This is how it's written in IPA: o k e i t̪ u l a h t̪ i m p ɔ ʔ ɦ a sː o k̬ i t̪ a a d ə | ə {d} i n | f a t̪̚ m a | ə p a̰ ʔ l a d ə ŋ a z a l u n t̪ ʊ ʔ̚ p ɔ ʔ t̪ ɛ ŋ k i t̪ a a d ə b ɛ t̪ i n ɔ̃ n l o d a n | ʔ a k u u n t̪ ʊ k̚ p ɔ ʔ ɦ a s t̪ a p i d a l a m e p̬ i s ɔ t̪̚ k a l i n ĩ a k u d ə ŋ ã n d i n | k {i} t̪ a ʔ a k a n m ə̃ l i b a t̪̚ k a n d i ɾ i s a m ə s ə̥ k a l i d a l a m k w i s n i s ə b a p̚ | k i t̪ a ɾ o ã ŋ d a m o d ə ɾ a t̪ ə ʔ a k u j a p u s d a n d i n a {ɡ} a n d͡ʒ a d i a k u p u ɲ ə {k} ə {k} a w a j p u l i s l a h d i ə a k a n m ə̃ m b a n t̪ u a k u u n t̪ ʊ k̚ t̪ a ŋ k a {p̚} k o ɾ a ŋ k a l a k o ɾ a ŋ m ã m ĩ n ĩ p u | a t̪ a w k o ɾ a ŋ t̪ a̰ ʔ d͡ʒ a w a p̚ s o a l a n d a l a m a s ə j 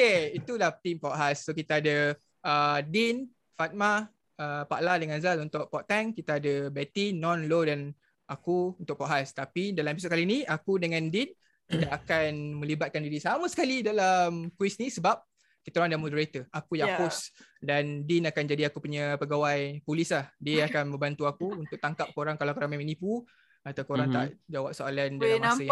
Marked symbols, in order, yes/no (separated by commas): yes, yes, no, no, no, yes